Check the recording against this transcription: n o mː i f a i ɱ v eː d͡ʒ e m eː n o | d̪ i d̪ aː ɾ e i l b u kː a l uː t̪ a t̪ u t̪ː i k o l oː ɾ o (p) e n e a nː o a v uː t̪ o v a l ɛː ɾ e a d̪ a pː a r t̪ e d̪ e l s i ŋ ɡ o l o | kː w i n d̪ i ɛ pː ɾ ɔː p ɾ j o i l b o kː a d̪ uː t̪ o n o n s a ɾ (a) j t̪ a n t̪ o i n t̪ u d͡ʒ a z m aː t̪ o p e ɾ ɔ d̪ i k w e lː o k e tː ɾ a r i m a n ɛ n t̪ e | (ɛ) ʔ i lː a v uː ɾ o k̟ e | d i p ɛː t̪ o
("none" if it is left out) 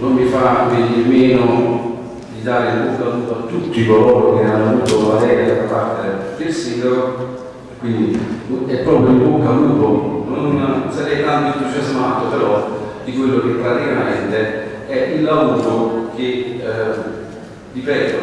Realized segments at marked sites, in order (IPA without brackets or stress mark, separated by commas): k, ɛ, ɛ